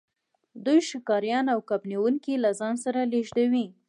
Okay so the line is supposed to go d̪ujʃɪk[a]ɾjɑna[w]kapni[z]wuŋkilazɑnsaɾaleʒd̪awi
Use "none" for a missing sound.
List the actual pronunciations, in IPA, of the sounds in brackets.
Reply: ɑ, w, none

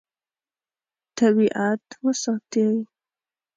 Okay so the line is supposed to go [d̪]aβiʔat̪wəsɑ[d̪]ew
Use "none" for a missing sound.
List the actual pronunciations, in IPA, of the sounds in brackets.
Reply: t̪, t̪

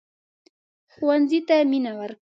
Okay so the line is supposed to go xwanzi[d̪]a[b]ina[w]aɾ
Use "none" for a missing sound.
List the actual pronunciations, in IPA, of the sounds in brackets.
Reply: t̪, m, w

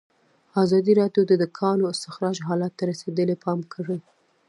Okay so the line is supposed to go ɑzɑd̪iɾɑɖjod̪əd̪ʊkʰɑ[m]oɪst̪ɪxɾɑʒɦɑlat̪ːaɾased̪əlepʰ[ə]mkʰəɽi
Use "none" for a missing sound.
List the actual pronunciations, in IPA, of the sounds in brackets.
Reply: n, ɑ

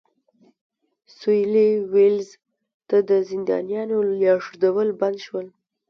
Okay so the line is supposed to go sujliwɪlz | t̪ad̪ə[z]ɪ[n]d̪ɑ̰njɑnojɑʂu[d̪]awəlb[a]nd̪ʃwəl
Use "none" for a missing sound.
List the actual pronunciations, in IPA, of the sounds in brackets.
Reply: z, n, d̪, a

